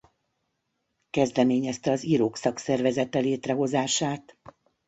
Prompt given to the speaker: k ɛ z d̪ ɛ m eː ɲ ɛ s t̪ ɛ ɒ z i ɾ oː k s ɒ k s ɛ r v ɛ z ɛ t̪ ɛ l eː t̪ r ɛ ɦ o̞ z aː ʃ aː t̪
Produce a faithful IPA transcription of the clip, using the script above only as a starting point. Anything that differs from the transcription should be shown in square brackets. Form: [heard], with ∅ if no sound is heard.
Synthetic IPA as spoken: k ɛ z d̪ ɛ m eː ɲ ɛ s t̪ ɛ ɒ z i ɾ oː k s ɒ k s ɛ r v ɛ z ɛ t̪ ɛ l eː t̪ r ɛ ɦ o̞ z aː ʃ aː t̪